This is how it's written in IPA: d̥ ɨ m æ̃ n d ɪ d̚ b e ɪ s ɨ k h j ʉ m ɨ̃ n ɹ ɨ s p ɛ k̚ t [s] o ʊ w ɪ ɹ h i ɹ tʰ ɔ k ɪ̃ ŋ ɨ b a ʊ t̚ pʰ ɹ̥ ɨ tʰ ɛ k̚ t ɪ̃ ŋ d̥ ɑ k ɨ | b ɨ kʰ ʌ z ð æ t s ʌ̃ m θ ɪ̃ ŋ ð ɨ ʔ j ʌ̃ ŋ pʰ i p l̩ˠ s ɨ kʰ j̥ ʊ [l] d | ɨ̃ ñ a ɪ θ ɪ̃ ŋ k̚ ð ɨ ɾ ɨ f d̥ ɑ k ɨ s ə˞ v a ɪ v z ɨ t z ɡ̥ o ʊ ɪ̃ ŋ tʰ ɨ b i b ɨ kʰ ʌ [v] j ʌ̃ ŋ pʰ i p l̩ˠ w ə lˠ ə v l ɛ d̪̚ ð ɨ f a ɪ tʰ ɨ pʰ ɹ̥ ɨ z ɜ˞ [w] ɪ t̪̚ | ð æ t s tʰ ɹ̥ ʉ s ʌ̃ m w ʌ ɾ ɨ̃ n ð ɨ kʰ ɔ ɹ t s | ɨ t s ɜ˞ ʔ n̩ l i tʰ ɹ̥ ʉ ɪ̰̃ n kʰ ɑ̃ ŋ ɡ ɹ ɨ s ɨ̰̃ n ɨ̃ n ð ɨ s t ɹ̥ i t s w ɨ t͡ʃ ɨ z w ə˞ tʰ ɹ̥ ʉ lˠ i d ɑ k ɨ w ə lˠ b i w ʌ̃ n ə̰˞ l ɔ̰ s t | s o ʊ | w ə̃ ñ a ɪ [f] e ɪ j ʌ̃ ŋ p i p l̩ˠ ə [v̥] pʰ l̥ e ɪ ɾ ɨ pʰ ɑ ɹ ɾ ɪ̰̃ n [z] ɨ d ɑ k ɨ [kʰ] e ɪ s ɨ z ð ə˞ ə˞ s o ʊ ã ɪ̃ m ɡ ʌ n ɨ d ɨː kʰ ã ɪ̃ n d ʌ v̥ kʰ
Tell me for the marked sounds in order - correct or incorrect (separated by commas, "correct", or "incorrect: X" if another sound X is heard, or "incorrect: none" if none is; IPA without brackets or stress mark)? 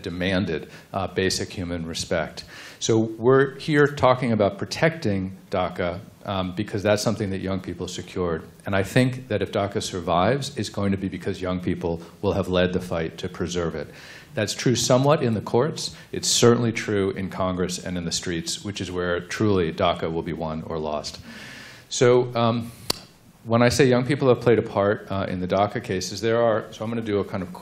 correct, incorrect: ɹ, incorrect: z, incorrect: v, incorrect: s, correct, incorrect: ð, correct